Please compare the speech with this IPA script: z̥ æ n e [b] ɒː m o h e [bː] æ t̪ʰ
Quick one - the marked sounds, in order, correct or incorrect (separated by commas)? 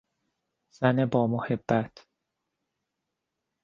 correct, correct